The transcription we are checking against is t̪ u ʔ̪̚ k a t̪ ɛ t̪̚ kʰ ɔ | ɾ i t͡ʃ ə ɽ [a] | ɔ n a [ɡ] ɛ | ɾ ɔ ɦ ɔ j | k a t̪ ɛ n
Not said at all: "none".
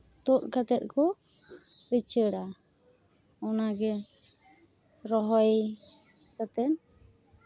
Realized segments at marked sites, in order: a, ɡ

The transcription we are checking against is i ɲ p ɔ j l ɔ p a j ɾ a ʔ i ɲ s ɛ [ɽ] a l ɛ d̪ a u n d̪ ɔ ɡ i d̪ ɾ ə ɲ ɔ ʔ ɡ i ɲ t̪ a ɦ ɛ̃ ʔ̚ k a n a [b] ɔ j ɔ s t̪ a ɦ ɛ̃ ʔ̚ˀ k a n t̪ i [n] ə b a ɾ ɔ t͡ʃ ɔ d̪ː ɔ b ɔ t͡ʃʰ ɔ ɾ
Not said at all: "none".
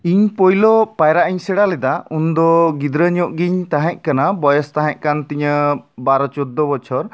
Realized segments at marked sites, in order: ɽ, b, ɲ

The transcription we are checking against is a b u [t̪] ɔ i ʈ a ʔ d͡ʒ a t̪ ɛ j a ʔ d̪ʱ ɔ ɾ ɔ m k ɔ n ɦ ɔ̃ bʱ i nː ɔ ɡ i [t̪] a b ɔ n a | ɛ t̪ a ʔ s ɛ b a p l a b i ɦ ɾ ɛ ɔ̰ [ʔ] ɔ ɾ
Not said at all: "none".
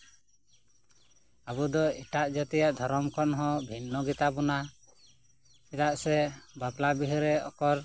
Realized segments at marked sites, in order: d̪, t̪, k

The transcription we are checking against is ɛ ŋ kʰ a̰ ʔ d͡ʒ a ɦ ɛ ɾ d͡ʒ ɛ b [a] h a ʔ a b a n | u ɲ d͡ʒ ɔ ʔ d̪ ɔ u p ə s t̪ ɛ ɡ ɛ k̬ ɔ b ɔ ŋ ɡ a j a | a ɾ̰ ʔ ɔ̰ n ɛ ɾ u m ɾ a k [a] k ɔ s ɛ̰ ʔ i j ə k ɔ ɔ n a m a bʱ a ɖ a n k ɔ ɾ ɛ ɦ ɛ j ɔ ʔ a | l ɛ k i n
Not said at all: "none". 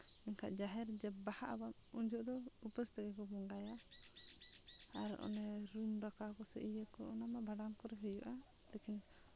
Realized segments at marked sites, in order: a, a

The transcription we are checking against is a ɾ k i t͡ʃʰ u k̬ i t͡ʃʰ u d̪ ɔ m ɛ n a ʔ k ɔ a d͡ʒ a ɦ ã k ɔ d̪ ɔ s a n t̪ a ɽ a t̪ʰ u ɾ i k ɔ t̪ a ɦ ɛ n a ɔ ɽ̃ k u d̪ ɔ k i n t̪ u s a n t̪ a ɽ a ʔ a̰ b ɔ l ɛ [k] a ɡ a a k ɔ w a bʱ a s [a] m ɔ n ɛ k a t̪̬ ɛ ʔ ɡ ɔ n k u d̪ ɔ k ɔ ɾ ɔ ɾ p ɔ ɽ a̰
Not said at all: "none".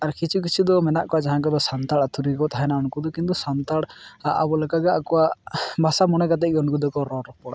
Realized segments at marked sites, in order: k, a

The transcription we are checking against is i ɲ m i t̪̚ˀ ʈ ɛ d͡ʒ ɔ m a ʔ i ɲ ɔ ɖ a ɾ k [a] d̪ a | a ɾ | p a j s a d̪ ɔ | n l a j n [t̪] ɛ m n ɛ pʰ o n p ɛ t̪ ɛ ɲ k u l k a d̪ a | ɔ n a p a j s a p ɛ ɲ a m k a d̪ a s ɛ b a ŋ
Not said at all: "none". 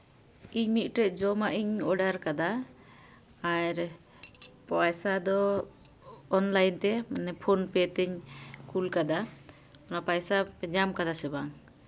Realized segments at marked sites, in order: a, t̪

